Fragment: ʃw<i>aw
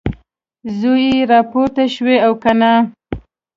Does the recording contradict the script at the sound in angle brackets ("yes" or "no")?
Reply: yes